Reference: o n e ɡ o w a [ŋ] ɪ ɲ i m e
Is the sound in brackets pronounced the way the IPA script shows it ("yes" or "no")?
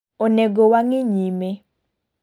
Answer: yes